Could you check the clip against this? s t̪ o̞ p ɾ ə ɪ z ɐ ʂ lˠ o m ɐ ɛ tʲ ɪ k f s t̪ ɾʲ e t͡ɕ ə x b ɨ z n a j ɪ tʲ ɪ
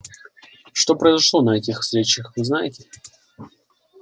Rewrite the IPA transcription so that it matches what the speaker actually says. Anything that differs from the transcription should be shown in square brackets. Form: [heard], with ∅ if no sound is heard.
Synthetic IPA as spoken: [ʂ] t̪ o̞ p ɾ ə ɪ z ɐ ʂ lˠ o [n] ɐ ɛ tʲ ɪ [x] f s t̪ ɾʲ e t͡ɕ ə x [v] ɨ z n a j ɪ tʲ ɪ